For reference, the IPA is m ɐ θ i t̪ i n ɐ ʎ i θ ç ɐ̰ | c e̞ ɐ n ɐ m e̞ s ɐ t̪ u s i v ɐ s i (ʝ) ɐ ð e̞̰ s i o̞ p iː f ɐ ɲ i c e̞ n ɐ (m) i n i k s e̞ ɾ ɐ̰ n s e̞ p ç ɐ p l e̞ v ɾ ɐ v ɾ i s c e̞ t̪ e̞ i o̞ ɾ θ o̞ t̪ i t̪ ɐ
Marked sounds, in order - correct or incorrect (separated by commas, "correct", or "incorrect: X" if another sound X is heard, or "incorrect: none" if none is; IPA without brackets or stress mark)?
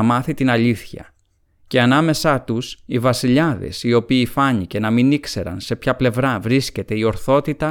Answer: incorrect: ʎ, correct